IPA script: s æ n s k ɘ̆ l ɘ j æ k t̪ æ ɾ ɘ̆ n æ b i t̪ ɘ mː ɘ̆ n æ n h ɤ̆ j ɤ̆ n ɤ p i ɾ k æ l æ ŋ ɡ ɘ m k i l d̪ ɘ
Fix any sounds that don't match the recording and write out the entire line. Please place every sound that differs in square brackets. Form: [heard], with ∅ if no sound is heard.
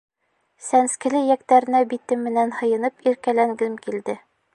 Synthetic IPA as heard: s æ n s k ɘ̆ l ɘ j æ k t̪ æ ɾ ɘ̆ n æ b i t̪ ɘ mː ɘ̆ n æ n h ɤ̆ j ɤ̆ n ɤ p i ɾ k æ l æ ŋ ɡ ɘ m k i l d̪ ɘ